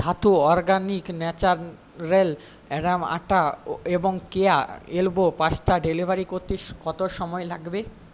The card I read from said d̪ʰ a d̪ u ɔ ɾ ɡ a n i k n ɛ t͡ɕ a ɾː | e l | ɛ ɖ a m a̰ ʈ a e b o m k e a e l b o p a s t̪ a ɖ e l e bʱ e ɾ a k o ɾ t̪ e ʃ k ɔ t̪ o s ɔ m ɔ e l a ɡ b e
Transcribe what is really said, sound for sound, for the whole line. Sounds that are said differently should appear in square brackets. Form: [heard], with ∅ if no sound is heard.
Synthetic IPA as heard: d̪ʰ a [t̪] u ɔ ɾ ɡ a n i k n ɛ t͡ɕ a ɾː | e l | ɛ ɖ a m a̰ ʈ a e b o [ŋ] k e a e l b o p a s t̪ a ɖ e l [i] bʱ [a] ɾ [i] k o ɾ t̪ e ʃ k ɔ t̪ o [ʃ] ɔ m ɔ e l a ɡ b e

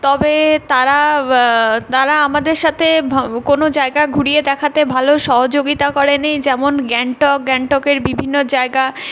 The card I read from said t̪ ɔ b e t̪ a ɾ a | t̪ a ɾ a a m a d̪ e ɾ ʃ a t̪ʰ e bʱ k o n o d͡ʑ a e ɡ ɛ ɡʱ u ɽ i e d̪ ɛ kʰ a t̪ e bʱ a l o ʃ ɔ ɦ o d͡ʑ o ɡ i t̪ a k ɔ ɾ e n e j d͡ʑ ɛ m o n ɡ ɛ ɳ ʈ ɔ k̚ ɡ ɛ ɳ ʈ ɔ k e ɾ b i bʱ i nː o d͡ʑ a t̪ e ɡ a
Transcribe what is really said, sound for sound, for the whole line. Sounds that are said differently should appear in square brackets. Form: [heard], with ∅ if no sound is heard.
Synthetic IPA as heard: t̪ ɔ b e t̪ a ɾ a | t̪ a ɾ a a m a d̪ e ɾ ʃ a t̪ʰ e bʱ k o n o d͡ʑ a e ɡ [a] ɡʱ u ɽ i e d̪ ɛ kʰ a t̪ e bʱ a l o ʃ ɔ ɦ o d͡ʑ o ɡ i t̪ a k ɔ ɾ e n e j d͡ʑ ɛ m o n ɡ ɛ ɳ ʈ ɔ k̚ ɡ ɛ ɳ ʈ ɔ k e ɾ b i bʱ i nː o d͡ʑ a [∅] e ɡ a

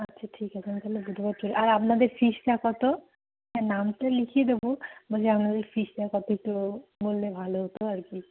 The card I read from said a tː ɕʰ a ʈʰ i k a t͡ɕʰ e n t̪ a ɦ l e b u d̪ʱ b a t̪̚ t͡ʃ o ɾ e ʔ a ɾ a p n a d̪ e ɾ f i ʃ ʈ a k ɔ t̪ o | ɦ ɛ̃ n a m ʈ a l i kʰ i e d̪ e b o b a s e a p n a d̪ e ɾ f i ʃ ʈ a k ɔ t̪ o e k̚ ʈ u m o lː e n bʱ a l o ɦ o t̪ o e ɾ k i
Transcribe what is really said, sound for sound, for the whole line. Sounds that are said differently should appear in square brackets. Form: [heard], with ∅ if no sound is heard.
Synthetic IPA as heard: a tː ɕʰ a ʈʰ i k a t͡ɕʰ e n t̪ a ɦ l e b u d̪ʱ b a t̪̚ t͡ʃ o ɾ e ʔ a ɾ a p n a d̪ e ɾ f i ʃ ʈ a k ɔ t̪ o | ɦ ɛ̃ n a m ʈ a l i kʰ i e d̪ e b o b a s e a p n a d̪ e ɾ f i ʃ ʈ a k ɔ t̪ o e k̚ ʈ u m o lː e [∅] bʱ a l o ɦ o t̪ o [a] ɾ k i

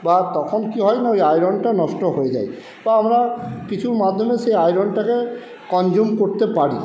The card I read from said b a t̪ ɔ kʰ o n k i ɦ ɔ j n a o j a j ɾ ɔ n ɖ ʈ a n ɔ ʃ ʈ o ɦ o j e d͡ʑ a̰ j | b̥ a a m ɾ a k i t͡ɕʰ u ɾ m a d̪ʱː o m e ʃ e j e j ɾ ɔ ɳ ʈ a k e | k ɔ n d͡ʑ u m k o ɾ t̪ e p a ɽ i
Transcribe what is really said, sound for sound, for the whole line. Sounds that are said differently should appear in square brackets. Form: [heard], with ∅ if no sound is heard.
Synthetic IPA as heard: b a t̪ ɔ kʰ o n k i ɦ ɔ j n a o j a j ɾ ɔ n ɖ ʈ a n ɔ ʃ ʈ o ɦ o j e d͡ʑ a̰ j | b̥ a a m ɾ a k i t͡ɕʰ u ɾ m a d̪ʱː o m e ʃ e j [a] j ɾ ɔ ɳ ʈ a k e | k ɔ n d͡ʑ u m k o ɾ t̪ e p a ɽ i

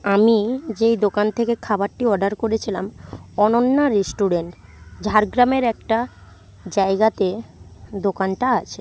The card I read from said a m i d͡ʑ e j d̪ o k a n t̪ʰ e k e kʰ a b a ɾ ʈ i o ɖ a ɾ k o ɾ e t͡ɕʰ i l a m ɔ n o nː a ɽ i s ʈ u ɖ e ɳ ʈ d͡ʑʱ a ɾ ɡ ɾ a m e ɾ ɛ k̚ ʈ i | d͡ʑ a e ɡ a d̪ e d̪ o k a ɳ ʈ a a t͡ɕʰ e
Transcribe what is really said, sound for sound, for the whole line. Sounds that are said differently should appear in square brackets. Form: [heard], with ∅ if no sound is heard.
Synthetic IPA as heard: a m i d͡ʑ e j d̪ o k a n t̪ʰ e k e kʰ a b a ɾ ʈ i [ɔ] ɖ a ɾ k o ɾ e t͡ɕʰ i l a m ɔ n o nː a [ɾ] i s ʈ u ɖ e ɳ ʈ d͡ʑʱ a ɾ ɡ ɾ a m e ɾ ɛ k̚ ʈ [a] | d͡ʑ a e ɡ a [t̪] e d̪ o k a [n] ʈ a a t͡ɕʰ e

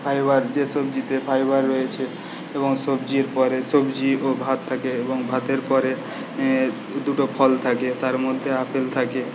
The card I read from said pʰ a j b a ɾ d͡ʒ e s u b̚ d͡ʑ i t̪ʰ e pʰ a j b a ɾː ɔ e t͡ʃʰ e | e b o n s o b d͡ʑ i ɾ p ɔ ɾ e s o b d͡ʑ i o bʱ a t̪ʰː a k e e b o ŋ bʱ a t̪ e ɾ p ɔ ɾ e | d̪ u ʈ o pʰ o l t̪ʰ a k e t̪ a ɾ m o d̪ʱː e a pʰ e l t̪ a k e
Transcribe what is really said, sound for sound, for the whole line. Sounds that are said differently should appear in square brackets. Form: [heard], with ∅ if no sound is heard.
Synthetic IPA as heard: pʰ a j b a ɾ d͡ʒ e s [o] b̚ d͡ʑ i [t̪] e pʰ a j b a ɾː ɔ e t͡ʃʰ e | e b o [ŋ] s o b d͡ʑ i ɾ p ɔ ɾ e s o b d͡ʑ i o bʱ a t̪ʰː a k e e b o ŋ bʱ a t̪ e ɾ p ɔ ɾ e | d̪ u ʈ o pʰ [ɔ] l t̪ʰ a k e t̪ a ɾ m o d̪ʱː e a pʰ e l [t̪ʰ] a k e

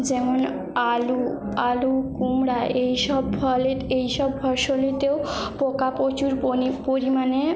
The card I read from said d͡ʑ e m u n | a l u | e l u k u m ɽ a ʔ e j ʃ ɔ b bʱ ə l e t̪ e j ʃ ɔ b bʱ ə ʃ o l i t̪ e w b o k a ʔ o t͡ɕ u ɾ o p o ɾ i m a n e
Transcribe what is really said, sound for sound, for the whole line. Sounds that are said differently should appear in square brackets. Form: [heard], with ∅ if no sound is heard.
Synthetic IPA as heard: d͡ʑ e m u n | a l u | [a] l u k u m ɽ a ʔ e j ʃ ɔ b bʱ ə l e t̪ e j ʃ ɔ b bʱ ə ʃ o l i t̪ e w [p] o k a [p] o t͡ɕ u ɾ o p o ɾ i m a n e

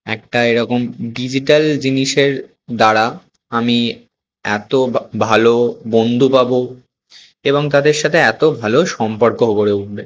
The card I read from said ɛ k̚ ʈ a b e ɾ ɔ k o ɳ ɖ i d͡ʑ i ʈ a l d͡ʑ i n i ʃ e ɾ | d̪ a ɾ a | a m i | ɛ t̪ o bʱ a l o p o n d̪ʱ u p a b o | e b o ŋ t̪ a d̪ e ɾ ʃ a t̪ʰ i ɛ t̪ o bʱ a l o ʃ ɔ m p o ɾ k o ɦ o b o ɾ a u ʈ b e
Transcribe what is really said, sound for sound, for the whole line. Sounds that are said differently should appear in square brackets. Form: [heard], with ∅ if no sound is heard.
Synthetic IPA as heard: ɛ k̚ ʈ a [∅] e ɾ ɔ k o [m] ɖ i d͡ʑ i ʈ a l d͡ʑ i n i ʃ e ɾ | d̪ a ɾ a | a m i | ɛ t̪ o bʱ a l o [b] o n d̪ʱ u p a b o | e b o ŋ t̪ a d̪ e ɾ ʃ a t̪ʰ [e] ɛ t̪ o bʱ a l o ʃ ɔ m p o ɾ k o ɦ o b o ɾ [e] u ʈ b e

